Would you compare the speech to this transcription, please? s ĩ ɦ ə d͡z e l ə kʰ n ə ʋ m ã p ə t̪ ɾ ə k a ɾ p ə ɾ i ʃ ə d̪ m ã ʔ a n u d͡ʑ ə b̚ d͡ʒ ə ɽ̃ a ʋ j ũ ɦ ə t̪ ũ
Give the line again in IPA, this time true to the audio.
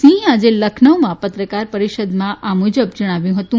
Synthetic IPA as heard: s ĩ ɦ a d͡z e l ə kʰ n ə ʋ m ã p ə t̪ ɾ ə k a ɾ p ə ɾ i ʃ ə d̪ m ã ʔ a m u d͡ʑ ə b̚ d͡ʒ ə ɽ̃ a ʋ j ũ ɦ ə t̪ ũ